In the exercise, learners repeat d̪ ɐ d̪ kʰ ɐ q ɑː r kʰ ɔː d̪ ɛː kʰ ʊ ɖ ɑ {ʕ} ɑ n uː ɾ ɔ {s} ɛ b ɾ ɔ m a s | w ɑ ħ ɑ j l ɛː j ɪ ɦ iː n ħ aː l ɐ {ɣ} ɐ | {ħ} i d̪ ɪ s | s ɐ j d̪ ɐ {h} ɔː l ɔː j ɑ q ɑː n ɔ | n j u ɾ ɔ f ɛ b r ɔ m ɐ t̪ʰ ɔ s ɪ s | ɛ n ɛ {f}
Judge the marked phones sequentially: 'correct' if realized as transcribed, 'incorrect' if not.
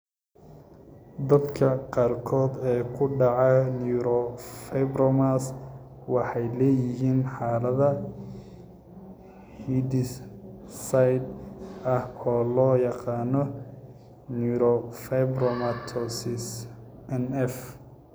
correct, incorrect: f, incorrect: ð, incorrect: h, correct, correct

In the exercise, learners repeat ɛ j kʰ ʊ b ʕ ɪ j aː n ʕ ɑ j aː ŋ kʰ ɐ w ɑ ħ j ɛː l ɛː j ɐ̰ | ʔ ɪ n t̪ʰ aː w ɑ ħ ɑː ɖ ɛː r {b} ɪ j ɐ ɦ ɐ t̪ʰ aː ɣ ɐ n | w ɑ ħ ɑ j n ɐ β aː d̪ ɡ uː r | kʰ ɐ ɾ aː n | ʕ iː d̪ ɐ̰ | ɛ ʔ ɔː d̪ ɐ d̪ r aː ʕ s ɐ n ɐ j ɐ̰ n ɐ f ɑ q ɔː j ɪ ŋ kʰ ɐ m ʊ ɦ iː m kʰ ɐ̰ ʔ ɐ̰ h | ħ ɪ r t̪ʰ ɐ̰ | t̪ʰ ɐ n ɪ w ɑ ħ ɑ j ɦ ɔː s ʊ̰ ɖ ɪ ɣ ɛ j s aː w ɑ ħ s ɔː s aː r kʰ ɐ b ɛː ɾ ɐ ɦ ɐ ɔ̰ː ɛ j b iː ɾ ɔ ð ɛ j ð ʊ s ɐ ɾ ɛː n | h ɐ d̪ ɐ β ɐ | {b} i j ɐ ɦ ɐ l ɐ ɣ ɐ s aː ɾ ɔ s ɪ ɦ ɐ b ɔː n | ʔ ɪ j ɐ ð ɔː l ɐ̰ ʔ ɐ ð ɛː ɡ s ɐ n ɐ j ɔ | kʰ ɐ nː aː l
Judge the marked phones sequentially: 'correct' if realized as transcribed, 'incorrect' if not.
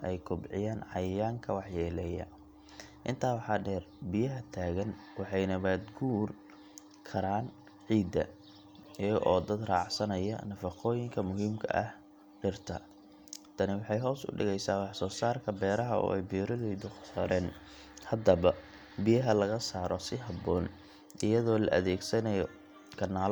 correct, correct

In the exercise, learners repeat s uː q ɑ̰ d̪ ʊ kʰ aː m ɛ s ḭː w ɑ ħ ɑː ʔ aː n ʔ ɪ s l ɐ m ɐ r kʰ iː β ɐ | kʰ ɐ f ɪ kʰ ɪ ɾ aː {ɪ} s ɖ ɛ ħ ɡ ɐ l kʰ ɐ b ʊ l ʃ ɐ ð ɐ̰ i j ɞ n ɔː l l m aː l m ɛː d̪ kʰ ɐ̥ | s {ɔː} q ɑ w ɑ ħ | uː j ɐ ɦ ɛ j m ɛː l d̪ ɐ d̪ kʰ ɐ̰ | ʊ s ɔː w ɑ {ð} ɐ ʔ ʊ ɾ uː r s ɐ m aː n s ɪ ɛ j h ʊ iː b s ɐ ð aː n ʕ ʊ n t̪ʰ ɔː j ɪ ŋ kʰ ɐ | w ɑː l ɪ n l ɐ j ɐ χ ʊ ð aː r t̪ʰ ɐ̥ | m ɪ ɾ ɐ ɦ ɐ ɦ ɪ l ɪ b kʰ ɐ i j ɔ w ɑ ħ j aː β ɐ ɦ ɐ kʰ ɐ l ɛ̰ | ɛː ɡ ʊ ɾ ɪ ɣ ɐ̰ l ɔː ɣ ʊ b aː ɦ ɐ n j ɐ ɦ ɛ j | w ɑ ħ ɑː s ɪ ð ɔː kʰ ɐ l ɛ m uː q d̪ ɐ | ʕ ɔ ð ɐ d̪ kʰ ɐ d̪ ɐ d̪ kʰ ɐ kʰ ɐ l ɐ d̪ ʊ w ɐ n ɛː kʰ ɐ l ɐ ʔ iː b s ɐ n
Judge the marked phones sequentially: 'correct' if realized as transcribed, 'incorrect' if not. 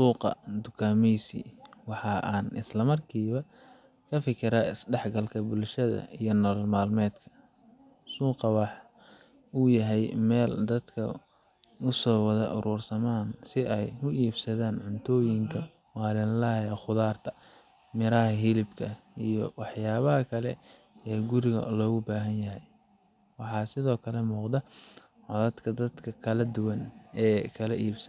correct, incorrect: uː, correct

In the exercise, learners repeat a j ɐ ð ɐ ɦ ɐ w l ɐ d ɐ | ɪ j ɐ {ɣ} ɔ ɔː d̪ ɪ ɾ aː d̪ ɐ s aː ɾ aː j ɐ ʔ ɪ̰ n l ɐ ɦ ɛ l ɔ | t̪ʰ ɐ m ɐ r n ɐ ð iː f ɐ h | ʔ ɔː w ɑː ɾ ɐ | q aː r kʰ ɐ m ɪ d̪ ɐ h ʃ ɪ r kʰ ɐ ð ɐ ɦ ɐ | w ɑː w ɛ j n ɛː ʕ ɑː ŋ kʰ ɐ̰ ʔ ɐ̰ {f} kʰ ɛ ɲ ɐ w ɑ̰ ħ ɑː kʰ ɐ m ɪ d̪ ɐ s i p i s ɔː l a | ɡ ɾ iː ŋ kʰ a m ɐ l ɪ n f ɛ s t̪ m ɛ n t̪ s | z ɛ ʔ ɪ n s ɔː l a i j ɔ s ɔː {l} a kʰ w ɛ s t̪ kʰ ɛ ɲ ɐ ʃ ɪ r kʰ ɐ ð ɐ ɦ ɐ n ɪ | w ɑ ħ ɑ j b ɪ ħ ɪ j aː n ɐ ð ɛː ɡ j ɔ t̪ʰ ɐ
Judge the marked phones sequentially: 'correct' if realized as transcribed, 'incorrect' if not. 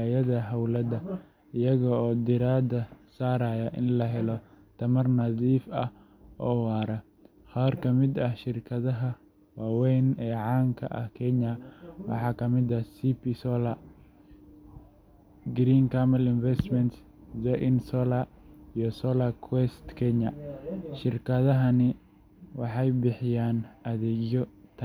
correct, incorrect: h, correct

